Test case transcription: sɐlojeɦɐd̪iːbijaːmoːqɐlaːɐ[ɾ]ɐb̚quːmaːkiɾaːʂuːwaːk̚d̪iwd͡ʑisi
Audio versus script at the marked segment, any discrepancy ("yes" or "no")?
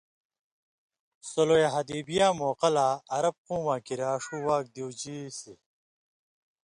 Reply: no